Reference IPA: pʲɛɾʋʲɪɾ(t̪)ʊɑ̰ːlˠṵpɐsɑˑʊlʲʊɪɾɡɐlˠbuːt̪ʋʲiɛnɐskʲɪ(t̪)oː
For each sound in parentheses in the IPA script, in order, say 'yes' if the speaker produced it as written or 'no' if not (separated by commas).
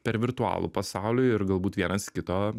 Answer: yes, yes